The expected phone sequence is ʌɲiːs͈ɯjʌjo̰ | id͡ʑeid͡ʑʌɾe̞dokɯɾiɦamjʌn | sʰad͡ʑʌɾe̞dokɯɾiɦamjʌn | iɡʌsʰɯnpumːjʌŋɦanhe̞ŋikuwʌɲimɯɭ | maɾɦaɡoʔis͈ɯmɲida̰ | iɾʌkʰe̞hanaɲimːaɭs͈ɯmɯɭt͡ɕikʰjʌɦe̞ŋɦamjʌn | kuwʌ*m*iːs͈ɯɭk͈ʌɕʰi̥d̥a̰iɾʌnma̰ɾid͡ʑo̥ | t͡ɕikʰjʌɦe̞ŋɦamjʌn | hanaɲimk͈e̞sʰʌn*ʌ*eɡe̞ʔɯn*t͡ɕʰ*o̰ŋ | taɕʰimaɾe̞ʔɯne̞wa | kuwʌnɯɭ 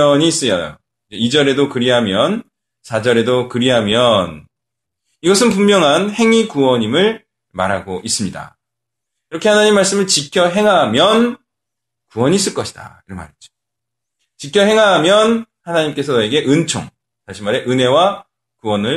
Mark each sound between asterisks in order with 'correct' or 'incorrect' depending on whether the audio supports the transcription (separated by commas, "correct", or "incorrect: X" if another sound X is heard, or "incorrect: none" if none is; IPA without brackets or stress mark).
incorrect: ɲ, correct, correct